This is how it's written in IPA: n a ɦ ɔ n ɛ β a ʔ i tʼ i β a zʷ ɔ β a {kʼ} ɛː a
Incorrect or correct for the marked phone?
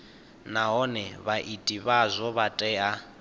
incorrect: tʼ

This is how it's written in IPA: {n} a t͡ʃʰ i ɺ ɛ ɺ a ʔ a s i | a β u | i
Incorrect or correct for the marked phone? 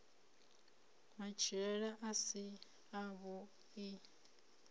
incorrect: m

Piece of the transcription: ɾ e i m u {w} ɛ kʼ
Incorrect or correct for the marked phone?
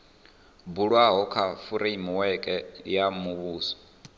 correct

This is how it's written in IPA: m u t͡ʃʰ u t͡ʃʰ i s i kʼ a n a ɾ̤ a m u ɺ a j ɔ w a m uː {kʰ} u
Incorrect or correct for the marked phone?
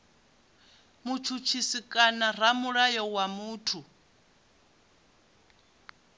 incorrect: tʰ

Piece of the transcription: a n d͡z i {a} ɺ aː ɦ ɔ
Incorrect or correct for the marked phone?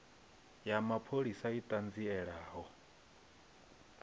incorrect: ɛ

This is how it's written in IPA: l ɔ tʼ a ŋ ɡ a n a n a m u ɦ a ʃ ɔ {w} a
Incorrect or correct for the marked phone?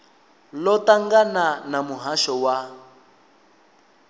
correct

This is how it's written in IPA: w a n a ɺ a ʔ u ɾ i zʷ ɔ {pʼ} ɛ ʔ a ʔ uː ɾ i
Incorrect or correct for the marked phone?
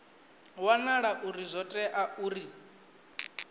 incorrect: tʼ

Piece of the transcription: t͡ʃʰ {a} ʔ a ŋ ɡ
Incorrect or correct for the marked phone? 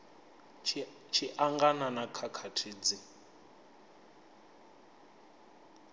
incorrect: i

